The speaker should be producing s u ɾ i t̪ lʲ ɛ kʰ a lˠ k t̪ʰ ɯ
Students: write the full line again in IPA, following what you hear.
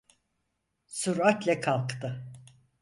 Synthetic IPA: s u ɾ a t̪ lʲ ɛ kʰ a lˠ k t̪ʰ ɯ